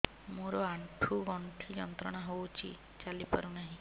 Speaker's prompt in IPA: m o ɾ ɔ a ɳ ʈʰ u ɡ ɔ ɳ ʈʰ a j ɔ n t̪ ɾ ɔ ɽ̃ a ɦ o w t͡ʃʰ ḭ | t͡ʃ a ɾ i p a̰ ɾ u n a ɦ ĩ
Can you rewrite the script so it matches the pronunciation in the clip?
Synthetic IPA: m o ɾ ɔ a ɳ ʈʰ u ɡ ɔ ɳ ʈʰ i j ɔ n t̪ ɾ ɔ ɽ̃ a ɦ o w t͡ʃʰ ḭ | t͡ʃ a l i p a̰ ɾ u n a ɦ ĩ